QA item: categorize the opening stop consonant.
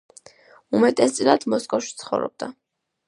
ejective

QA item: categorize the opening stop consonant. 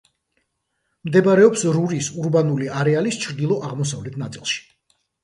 plain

